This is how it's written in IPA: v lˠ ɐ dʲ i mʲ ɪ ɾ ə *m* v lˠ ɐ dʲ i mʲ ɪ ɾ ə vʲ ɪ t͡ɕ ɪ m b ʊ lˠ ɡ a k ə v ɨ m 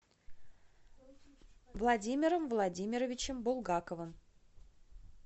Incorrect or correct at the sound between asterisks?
correct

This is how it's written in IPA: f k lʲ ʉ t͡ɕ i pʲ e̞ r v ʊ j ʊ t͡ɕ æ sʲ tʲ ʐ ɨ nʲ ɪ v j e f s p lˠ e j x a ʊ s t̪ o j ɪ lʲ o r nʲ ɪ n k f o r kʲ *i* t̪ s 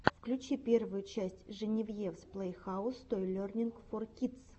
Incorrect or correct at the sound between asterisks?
correct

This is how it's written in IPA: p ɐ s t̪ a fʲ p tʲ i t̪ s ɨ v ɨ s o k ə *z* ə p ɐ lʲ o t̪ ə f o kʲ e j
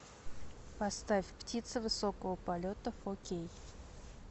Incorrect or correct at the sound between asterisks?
incorrect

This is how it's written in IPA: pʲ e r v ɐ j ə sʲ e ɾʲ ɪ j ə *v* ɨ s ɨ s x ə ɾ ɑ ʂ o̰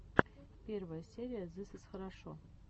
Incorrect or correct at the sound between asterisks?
incorrect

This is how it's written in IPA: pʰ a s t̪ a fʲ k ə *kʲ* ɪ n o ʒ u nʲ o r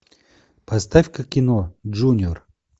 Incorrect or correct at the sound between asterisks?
correct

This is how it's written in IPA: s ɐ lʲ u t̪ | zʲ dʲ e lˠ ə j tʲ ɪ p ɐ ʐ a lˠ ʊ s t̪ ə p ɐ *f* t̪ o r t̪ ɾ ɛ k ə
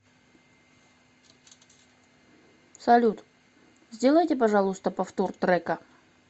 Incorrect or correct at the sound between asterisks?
correct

